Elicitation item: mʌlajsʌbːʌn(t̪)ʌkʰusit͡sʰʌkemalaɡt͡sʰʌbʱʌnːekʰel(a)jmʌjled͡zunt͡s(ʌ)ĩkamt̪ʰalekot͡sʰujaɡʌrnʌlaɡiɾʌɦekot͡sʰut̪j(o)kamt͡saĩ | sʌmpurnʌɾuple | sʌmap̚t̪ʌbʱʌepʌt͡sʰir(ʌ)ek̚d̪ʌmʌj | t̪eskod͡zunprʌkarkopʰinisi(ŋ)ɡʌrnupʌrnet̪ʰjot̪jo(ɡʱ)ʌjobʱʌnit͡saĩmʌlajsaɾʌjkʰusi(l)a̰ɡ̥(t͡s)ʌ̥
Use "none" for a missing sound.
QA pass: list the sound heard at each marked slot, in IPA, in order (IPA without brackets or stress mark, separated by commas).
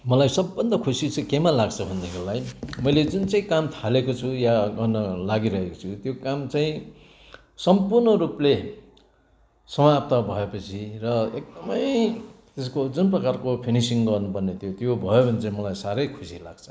d̪, a, a, o, ʌ, ŋ, bʱ, l, t͡sʰ